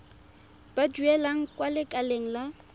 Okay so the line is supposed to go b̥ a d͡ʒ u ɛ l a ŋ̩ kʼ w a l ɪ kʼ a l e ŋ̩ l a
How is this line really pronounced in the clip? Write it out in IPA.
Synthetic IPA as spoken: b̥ a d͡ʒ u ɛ l a ŋ̩ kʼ w a l ɪ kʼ a l e ŋ̩ l a